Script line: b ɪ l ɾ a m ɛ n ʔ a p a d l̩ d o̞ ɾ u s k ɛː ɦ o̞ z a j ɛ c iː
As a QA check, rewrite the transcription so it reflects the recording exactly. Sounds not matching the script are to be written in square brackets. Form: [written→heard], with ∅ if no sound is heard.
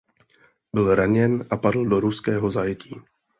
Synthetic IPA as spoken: b ɪ l ɾ a [m→ɲ] ɛ n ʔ a p a d l̩ d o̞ ɾ u s k ɛː ɦ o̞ z a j ɛ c iː